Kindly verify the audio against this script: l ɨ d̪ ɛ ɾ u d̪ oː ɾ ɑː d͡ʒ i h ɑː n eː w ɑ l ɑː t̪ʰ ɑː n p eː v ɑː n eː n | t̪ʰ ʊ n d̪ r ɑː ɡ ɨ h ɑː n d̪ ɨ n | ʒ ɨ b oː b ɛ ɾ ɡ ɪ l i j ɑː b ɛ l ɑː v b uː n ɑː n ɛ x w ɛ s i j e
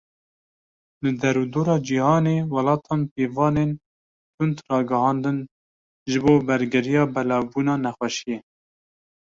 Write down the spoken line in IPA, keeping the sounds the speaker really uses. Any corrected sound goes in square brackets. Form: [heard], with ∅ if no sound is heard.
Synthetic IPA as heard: l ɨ d̪ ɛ ɾ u d̪ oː ɾ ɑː d͡ʒ i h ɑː n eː w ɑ l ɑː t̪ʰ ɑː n p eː v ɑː n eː n | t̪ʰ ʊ n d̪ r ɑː ɡ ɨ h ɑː n d̪ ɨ n | ʒ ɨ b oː b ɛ ɾ ɡ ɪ [ɾ] i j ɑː b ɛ l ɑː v b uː n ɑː n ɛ x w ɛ [ʃ] i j e